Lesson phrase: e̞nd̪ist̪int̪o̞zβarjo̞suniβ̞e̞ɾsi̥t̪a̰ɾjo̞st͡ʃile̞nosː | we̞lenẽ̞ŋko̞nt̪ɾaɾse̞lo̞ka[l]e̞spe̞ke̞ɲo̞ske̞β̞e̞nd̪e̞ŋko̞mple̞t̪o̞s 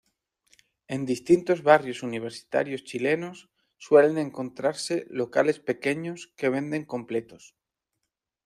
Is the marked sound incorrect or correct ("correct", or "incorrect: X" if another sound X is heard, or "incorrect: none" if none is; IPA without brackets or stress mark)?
correct